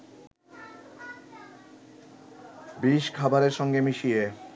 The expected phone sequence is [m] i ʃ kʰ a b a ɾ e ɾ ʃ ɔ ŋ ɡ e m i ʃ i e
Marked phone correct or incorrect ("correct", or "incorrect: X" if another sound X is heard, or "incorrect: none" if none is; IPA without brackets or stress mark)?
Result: incorrect: b